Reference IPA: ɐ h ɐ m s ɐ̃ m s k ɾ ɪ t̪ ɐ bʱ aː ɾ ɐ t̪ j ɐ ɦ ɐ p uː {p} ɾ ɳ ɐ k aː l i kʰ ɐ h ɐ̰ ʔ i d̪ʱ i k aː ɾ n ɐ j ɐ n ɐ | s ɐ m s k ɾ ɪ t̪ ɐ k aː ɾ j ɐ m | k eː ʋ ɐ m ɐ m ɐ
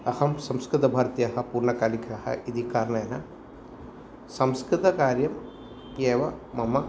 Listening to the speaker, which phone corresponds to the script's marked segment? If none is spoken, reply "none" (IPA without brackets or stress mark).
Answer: none